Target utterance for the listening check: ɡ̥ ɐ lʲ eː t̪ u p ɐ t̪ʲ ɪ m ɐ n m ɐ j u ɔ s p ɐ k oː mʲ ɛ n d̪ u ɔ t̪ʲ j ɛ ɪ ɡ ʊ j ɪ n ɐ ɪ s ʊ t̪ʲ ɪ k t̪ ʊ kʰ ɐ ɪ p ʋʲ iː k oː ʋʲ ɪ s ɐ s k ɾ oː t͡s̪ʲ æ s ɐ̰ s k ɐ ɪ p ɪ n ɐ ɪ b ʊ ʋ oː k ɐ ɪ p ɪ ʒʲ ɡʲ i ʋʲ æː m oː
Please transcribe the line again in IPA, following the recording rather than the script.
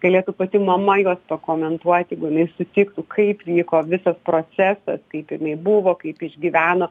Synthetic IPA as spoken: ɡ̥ ɐ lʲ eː t̪ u p ɐ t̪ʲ ɪ m ɐ m ɐ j u ɔ s p ɐ k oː mʲ ɛ n t̪ u ɔ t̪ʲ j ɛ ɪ ɡ ʊ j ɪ n ɐ ɪ s ʊ t̪ʲ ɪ k t̪ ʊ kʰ ɐ ɪ p ʋʲ iː k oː ʋʲ ɪ s ɐ s p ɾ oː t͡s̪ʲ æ s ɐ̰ s k ɐ ɪ p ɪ n ɐ ɪ b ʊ ʋ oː k ɐ ɪ p ɪ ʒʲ ɡʲ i ʋʲ æː n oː